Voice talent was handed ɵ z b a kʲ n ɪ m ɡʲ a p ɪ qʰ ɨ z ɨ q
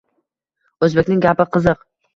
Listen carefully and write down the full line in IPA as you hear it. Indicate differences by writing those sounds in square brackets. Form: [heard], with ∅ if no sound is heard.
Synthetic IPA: ɵ z b [e] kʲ n ɪ [ŋ] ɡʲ a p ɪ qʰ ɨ z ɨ q